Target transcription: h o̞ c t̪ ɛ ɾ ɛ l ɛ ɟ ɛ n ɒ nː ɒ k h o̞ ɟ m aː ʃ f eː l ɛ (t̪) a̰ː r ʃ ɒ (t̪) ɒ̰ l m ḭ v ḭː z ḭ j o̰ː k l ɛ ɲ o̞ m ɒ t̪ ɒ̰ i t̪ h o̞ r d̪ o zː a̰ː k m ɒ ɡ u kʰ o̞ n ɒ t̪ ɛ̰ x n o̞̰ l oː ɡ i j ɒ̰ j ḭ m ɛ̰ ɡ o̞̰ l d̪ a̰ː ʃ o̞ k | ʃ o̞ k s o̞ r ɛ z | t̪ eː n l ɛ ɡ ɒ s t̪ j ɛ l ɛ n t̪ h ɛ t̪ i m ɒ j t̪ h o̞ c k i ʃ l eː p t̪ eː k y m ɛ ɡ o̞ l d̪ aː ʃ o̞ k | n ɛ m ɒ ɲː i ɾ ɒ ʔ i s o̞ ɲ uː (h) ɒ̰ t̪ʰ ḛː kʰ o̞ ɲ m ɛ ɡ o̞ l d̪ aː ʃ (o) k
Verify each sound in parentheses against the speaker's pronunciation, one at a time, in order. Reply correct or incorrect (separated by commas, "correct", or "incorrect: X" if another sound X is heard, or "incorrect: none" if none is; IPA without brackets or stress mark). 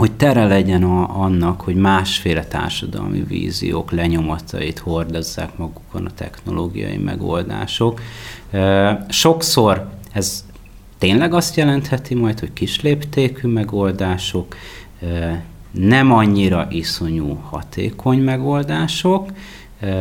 correct, incorrect: d̪, correct, correct